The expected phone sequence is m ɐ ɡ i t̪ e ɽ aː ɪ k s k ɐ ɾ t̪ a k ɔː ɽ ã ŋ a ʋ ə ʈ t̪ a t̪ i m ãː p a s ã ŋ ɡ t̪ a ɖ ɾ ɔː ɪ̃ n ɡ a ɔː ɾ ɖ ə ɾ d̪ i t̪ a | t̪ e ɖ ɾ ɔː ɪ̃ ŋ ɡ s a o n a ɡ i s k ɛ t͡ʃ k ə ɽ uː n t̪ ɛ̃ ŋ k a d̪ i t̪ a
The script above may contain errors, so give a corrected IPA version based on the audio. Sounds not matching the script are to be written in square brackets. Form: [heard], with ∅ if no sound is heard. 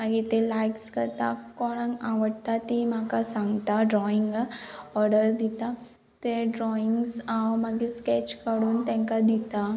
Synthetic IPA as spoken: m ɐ ɡ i t̪ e [l] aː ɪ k s k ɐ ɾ t̪ a k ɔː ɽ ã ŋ a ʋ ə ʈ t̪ a t̪ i m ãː [k] a s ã ŋ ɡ t̪ a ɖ ɾ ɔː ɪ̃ [ŋ] ɡ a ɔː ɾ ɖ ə ɾ d̪ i t̪ a | t̪ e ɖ ɾ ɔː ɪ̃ ŋ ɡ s a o [m] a ɡ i s k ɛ t͡ʃ k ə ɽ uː n t̪ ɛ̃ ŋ k a d̪ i t̪ a